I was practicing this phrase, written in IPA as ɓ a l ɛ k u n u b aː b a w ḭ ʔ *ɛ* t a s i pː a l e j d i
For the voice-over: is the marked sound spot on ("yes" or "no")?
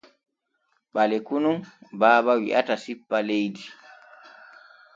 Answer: no